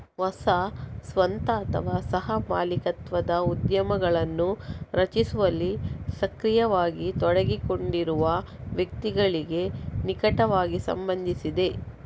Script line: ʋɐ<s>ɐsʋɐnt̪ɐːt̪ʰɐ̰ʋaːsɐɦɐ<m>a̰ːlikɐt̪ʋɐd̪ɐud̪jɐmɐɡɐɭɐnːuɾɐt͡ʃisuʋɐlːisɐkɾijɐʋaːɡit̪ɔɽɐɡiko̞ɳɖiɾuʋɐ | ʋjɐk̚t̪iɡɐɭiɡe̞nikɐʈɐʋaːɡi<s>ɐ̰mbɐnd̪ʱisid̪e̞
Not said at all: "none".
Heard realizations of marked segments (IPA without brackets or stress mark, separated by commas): s, m, s